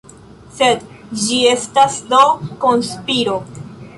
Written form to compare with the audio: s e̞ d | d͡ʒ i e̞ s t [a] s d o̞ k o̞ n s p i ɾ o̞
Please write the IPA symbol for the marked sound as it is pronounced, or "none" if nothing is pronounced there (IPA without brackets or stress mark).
a